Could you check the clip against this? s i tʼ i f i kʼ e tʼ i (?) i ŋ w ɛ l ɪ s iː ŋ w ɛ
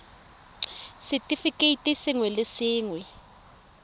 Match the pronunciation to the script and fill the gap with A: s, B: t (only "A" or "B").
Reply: A